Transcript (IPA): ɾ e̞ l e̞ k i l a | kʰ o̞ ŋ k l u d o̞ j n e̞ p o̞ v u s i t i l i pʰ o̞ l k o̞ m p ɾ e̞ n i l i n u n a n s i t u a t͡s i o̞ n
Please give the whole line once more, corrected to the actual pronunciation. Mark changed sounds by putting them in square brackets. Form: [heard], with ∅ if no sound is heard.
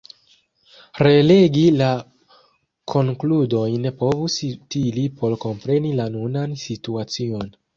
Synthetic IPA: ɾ e̞ l e̞ [ɡ] i l a | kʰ o̞ ŋ k l u d o̞ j n e̞ p o̞ v u s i t i l i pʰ o̞ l k o̞ m p ɾ e̞ n i l [a] n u n a n s i t u a t͡s i o̞ n